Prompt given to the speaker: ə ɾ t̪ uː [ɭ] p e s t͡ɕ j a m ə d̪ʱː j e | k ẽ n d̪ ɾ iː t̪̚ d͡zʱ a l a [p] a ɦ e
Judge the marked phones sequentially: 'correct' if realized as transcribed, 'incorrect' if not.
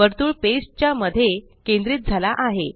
correct, incorrect

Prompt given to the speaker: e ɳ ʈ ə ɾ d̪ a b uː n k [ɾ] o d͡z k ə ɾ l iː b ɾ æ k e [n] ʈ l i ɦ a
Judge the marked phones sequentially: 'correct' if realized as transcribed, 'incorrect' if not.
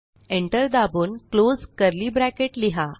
incorrect, incorrect

